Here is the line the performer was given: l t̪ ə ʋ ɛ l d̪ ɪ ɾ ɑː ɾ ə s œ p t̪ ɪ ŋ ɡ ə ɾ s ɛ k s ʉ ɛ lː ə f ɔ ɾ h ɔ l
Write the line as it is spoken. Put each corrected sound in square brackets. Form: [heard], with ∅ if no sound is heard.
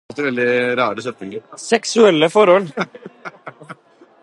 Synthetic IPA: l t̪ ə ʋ ɛ l d̪ ɪ ɾ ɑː ɾ ə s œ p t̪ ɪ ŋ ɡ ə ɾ s ɛ k s ʉ ɛ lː ə f ɔ ɾ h ɔ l